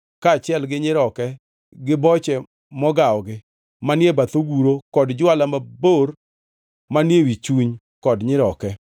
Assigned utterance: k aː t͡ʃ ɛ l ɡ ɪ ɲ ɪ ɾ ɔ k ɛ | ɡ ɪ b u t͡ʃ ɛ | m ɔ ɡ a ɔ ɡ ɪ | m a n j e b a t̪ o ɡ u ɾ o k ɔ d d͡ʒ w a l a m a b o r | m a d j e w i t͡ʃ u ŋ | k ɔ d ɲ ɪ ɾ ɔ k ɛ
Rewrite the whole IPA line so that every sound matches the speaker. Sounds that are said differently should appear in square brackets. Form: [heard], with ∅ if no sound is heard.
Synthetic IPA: k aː t͡ʃ ɛ l ɡ ɪ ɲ ɪ ɾ ɔ k ɛ | ɡ ɪ b [ɔ] t͡ʃ ɛ | m ɔ ɡ a ɔ ɡ ɪ | m a n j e b a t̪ o ɡ u ɾ o k ɔ d d͡ʒ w a l a m a b o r | m a [n] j e w i t͡ʃ u [ɲ] | k ɔ d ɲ ɪ ɾ ɔ k ɛ